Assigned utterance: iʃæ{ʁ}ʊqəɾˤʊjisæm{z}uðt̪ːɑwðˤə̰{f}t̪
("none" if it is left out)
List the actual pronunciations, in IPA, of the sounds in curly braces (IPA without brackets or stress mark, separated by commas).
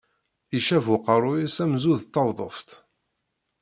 v, z, f